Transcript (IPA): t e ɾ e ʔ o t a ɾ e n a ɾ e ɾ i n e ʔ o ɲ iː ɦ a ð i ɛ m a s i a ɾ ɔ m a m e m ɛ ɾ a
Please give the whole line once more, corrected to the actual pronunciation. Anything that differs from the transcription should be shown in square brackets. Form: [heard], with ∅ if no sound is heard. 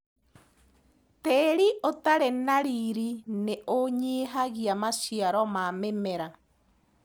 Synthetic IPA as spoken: t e ɾ [i] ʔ o t a ɾ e n a ɾ [i] ɾ i n e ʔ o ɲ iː ɦ a [ɣ] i [a] m a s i a ɾ ɔ m a m e m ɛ ɾ a